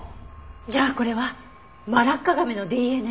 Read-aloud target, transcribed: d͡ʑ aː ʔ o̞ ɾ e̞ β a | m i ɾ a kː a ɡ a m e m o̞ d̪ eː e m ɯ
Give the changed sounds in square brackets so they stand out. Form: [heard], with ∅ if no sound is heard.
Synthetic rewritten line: d͡ʑ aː [k] o̞ ɾ e̞ β a | m [a] ɾ a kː a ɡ a m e [n] o̞ d̪ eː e [n] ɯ

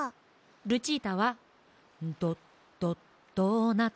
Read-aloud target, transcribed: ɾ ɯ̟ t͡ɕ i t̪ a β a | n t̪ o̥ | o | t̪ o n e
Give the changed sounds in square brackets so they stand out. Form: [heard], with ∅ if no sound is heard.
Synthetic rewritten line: ɾ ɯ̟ t͡ɕ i t̪ a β a | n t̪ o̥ | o | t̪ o n [a]

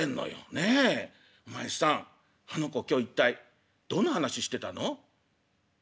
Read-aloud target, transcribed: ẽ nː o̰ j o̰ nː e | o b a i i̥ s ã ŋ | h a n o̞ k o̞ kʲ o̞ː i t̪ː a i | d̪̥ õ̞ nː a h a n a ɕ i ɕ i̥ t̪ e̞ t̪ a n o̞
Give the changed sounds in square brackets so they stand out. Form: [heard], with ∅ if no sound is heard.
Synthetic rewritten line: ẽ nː o̰ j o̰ [n] e | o [m] a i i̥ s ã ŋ | h a n o̞ k o̞ kʲ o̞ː i t̪ː a i | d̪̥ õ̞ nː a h a n a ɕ i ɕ i̥ t̪ e̞ t̪ a n o̞

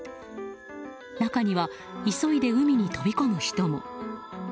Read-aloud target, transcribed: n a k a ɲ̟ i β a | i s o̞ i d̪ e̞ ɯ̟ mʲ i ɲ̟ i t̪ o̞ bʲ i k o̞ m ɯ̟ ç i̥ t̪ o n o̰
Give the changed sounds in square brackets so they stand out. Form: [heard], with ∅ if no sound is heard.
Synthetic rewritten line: n a k a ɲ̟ i β a | i s o̞ i d̪ e̞ ɯ̟ mʲ i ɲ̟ i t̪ o̞ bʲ i k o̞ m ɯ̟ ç i̥ t̪ o [m] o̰

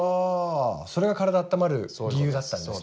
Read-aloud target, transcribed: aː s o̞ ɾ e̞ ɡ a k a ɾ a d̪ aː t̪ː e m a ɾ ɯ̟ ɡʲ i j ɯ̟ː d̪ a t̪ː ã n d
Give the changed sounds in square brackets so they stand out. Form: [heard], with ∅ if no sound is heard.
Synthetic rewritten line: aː s o̞ ɾ e̞ ɡ a k a ɾ a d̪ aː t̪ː [a] m a ɾ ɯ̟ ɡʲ i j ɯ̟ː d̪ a t̪ː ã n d

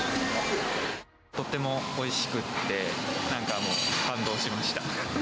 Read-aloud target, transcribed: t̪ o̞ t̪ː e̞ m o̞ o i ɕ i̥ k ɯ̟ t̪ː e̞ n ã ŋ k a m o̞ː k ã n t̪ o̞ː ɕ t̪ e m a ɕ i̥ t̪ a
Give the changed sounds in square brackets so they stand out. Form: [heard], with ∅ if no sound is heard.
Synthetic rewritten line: t̪ o̞ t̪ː e̞ m o̞ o i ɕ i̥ k ɯ̟ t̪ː e̞ n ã ŋ k a m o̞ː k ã n [d̪] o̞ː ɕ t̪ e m a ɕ i̥ t̪ a

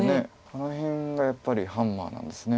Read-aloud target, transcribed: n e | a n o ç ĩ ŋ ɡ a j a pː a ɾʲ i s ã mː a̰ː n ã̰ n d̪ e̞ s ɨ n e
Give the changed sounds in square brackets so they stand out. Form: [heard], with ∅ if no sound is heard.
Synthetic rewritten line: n e | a n o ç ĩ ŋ ɡ a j a pː a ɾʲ i [h] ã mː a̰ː n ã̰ n d̪ e̞ s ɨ n e

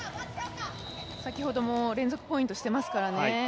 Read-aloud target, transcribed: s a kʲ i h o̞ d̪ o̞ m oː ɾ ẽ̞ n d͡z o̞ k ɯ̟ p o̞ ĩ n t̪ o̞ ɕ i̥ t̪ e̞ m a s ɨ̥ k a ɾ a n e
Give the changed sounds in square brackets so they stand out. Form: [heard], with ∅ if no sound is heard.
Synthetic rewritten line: s a kʲ i h o̞ d̪ o̞ m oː ɾ ẽ̞ n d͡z o̞ k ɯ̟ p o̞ ĩ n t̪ o̞ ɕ i̥ t̪ e̞ m a s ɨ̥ k a ɾ a n e

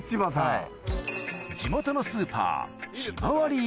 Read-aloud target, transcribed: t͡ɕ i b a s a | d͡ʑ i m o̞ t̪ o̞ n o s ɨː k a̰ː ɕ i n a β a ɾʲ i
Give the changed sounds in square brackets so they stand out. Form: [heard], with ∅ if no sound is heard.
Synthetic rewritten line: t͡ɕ i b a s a | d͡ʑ i m o̞ t̪ o̞ n o s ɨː [p] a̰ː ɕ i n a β a ɾʲ i

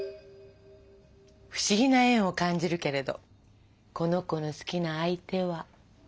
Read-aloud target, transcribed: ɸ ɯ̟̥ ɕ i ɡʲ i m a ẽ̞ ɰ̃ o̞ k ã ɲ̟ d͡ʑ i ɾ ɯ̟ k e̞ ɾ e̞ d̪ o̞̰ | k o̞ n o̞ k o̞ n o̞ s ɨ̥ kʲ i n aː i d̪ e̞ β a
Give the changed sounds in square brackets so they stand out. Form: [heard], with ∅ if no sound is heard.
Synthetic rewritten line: ɸ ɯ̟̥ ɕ i ɡʲ i [n] a ẽ̞ ɰ̃ o̞ k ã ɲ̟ d͡ʑ i ɾ ɯ̟ k e̞ ɾ e̞ d̪ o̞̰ | k o̞ n o̞ k o̞ n o̞ s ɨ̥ kʲ i n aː i [t̪] e̞ β a

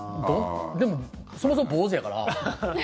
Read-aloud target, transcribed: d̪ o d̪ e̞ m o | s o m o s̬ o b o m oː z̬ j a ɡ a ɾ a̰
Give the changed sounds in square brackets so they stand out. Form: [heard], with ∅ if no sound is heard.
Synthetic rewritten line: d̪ o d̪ e̞ m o | s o m o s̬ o [m] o [b] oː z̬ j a [k] a ɾ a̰

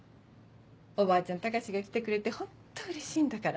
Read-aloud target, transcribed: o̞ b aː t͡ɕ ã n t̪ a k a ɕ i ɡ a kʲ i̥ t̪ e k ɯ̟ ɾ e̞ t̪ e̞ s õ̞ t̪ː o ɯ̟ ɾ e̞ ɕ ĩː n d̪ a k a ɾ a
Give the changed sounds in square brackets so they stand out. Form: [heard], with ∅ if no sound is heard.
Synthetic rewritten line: o̞ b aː t͡ɕ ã n t̪ a k a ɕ i ɡ a kʲ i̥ t̪ e k ɯ̟ ɾ e̞ t̪ e̞ [h] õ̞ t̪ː o ɯ̟ ɾ e̞ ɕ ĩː n d̪ a k a ɾ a

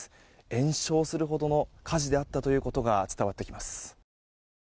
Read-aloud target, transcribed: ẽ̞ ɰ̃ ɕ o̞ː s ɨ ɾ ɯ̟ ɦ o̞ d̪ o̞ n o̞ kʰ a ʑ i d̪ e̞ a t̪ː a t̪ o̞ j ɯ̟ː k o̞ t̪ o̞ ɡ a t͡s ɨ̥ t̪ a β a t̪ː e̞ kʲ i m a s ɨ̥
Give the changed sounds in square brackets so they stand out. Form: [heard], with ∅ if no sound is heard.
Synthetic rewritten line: ẽ̞ ɰ̃ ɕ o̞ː s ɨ ɾ ɯ̟ ɦ o̞ d̪ o̞ n o̞ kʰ a ʑ i d̪ e̞ a t̪ː a t̪ o̞ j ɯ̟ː k o̞ t̪ o̞ ɡ a t͡s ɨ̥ t̪ a β a t̪ː e̞ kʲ i m a s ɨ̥

